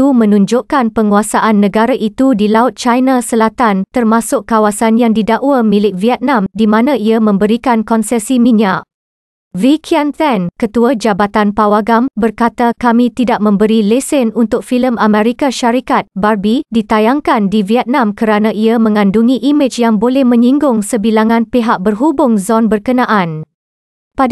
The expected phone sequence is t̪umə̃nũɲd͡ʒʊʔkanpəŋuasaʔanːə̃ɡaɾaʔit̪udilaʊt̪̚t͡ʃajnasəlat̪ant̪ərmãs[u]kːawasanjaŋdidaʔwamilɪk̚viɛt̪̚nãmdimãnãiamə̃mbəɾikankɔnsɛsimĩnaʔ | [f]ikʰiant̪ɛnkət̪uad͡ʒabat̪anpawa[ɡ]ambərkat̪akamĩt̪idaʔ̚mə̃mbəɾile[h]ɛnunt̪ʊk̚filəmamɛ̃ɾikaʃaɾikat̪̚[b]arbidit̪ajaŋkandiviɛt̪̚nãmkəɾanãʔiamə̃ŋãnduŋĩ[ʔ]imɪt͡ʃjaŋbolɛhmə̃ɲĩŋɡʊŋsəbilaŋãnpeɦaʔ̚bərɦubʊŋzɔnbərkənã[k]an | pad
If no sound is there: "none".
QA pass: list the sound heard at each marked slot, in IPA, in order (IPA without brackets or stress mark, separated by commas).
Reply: ʊ, v, ɡ, s, b, ʔ, ʔ